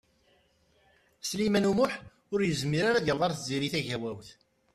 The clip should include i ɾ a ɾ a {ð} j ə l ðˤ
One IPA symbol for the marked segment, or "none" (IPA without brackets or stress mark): ð